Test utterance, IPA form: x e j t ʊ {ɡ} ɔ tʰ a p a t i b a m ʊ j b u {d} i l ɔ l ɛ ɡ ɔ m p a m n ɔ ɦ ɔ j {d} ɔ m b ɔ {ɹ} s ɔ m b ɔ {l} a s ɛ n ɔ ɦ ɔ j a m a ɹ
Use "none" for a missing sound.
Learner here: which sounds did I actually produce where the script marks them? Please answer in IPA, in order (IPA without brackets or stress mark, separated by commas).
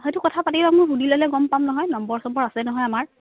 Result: k, d, n, ɹ, ɹ